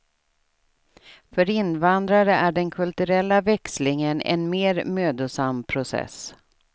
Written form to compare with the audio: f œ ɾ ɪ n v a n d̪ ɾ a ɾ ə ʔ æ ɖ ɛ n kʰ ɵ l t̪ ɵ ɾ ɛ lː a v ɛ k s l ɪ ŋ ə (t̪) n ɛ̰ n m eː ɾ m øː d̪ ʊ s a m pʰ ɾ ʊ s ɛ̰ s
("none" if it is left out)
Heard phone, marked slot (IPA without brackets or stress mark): none